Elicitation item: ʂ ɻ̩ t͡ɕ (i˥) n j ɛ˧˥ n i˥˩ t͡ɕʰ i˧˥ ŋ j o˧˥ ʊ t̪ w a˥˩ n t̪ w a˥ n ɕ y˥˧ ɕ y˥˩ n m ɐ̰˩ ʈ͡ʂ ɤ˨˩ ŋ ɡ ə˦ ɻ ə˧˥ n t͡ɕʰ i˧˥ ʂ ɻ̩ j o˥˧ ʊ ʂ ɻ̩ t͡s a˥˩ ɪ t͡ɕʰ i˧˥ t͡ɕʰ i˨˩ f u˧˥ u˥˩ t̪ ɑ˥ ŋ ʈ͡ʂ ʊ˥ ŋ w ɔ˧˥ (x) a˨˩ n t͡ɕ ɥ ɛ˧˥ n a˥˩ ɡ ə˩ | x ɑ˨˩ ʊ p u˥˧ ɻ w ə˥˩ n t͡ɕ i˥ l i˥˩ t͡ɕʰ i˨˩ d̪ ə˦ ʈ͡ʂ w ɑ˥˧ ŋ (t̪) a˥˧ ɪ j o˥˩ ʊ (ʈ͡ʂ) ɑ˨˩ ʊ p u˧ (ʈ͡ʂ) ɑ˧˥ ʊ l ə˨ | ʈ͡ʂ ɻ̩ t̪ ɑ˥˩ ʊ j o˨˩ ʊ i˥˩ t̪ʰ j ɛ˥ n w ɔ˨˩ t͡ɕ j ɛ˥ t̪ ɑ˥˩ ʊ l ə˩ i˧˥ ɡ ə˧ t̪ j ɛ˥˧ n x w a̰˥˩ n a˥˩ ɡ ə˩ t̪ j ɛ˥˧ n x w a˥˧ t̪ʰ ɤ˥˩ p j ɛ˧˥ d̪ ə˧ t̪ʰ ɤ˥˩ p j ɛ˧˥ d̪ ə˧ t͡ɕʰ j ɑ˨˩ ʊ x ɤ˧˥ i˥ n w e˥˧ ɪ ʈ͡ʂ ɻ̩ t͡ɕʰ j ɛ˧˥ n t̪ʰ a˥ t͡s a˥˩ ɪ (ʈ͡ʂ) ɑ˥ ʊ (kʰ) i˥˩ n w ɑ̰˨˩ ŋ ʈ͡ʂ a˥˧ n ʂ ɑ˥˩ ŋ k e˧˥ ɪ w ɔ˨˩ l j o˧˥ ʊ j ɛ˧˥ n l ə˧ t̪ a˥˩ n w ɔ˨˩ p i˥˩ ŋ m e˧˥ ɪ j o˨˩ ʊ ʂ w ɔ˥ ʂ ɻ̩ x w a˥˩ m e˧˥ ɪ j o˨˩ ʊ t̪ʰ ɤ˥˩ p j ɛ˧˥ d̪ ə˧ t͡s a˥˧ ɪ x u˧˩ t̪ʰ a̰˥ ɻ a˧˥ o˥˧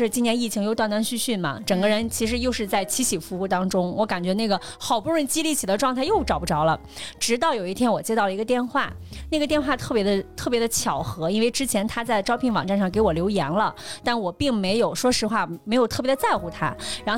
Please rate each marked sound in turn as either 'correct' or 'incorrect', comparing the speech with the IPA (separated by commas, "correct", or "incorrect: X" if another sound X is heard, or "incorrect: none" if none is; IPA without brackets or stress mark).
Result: correct, incorrect: k, incorrect: t̪ʰ, correct, correct, correct, incorrect: pʰ